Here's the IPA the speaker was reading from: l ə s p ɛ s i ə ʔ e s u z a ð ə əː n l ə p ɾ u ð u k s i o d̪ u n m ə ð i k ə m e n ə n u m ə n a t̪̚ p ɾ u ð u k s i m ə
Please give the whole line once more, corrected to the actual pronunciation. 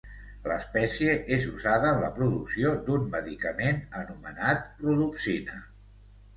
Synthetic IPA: l ə s p ɛ s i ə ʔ e z u z a ð ə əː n l ə p ɾ u ð u k s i o d̪ u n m ə ð i k ə m e n ə n u m ə n a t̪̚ p ɾ u ð u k s i n ə